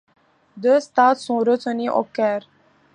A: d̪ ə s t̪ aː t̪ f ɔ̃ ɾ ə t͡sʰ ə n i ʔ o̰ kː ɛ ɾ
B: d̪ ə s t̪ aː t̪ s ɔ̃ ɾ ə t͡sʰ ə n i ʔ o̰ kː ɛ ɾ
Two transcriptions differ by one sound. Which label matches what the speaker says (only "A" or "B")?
B